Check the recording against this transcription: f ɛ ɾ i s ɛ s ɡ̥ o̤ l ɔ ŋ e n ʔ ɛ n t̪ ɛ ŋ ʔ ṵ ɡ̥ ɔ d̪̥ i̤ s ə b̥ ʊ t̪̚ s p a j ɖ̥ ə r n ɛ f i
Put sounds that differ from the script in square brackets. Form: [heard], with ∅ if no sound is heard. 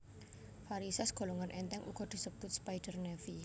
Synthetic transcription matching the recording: f [a] ɾ i s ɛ s ɡ̥ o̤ l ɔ ŋ [a] n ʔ ɛ n t̪ ɛ ŋ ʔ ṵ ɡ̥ ɔ d̪̥ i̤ s ə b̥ ʊ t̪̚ s p a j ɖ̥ ə r n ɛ f i